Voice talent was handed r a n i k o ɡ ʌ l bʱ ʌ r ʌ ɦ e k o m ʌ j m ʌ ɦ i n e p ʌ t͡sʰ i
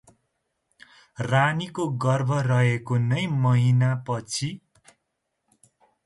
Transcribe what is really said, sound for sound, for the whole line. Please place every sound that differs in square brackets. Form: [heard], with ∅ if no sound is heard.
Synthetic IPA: r a n i k o ɡ ʌ [r] bʱ ʌ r ʌ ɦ e k o [n] ʌ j m ʌ ɦ i n [a] p ʌ t͡sʰ i